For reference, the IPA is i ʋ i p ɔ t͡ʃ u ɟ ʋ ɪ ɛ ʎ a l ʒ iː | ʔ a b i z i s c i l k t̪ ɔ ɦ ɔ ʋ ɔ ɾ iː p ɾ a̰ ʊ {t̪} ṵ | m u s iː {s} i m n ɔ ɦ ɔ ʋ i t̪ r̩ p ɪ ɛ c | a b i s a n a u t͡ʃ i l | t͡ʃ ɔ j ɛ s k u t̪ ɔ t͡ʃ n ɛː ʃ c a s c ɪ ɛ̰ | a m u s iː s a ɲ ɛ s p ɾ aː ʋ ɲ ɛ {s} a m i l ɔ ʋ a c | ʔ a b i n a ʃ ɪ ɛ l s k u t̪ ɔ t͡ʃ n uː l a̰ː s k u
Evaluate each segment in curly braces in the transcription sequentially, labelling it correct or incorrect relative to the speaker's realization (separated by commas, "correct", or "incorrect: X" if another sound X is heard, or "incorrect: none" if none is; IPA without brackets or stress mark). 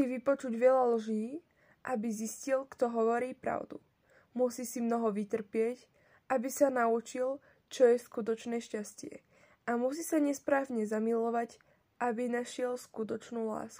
incorrect: d̪, correct, incorrect: z